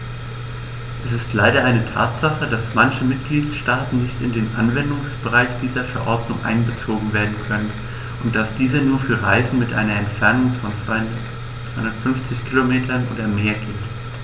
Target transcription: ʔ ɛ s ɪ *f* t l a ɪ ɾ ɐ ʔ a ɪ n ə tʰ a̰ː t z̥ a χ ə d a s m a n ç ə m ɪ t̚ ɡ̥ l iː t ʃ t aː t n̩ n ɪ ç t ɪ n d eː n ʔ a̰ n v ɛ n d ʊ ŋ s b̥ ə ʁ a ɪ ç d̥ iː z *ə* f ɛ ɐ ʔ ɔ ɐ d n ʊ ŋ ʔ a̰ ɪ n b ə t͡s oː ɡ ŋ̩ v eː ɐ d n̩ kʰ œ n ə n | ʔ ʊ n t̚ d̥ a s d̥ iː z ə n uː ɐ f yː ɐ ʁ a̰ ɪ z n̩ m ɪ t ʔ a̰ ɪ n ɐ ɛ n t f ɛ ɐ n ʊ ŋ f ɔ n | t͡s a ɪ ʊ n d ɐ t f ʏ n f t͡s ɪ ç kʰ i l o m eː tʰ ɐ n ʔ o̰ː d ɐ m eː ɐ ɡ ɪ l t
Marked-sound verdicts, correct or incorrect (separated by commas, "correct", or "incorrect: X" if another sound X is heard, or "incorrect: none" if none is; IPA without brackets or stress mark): incorrect: s, incorrect: ɐ